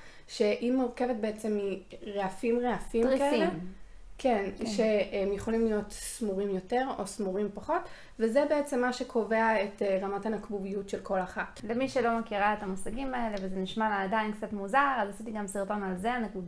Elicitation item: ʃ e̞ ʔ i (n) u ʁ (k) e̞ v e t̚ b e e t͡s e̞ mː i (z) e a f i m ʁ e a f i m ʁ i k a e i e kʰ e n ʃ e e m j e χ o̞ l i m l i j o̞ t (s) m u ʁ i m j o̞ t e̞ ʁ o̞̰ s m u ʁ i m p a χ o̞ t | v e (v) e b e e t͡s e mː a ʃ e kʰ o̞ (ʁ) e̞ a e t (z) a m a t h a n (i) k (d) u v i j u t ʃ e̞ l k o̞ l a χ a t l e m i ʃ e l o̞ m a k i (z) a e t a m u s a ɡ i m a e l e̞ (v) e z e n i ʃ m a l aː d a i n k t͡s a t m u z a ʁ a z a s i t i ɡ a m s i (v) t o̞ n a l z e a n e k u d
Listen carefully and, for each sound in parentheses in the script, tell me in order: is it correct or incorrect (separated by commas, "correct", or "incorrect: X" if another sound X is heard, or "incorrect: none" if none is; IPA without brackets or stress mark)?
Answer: incorrect: m, correct, incorrect: ʁ, correct, incorrect: z, incorrect: v, incorrect: ʁ, incorrect: a, incorrect: b, incorrect: ʁ, correct, incorrect: ʁ